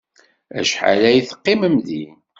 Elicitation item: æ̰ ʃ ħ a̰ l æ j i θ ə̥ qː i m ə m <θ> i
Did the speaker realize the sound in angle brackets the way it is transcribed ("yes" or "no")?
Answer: no